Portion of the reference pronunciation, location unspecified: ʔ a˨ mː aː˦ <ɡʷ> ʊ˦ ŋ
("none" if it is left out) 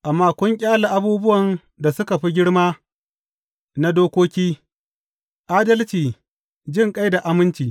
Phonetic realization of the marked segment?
kʷ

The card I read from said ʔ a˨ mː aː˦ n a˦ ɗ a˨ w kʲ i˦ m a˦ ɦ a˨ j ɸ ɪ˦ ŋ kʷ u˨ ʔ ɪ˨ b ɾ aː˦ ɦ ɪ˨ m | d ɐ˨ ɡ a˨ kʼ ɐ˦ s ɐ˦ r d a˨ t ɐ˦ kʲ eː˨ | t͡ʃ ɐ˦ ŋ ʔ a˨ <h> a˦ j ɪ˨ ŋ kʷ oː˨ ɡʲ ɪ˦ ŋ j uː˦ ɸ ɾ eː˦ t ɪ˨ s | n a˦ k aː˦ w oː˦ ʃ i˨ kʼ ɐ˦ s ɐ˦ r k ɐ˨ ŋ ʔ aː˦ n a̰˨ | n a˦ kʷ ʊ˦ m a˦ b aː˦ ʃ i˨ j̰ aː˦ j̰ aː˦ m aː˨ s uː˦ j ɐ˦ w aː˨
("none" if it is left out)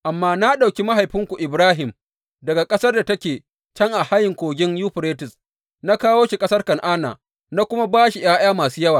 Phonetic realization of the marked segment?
h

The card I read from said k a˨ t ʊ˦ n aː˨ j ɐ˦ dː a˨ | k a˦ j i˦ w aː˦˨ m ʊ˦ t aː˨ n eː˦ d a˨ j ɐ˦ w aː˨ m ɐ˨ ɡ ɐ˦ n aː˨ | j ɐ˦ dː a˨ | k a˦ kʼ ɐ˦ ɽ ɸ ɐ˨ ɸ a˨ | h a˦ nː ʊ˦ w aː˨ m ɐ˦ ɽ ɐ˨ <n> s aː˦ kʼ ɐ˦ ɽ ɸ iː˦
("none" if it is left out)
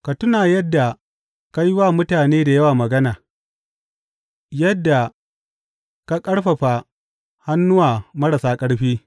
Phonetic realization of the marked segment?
none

